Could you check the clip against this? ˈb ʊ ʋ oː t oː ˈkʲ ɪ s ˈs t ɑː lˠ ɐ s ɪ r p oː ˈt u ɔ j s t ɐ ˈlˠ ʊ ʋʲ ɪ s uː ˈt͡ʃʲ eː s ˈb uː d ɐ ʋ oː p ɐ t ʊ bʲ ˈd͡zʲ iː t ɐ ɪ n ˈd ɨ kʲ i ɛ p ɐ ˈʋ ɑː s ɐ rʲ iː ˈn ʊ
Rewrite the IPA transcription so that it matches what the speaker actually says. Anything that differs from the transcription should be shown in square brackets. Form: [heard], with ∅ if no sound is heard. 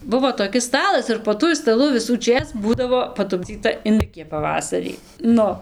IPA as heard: ˈb ʊ ʋ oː t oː ˈkʲ ɪ s ˈs t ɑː lˠ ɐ s ɪ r p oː ˈt u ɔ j s t ɐ ˈlˠ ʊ ʋʲ ɪ s uː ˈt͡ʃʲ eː s ˈb uː d ɐ ʋ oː p ɐ t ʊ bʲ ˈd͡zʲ iː t ɐ ɪ n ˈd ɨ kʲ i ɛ p ɐ ˈʋ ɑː s ɐ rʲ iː ˈn ʊ